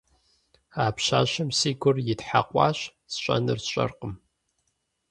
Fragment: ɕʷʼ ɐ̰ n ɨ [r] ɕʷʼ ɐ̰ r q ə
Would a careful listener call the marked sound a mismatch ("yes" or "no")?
no